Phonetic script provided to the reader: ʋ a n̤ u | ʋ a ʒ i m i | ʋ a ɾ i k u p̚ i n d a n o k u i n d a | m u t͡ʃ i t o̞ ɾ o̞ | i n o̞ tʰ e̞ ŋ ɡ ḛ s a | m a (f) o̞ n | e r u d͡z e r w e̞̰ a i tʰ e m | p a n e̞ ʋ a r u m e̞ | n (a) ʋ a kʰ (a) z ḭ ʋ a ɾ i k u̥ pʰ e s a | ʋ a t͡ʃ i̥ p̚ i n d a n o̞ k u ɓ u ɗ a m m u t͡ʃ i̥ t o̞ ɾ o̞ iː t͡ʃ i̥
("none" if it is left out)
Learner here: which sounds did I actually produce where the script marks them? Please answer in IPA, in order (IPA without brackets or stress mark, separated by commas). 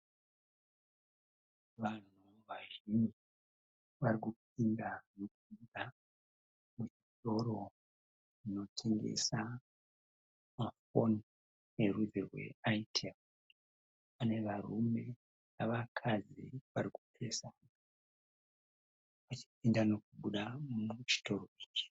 f, a, a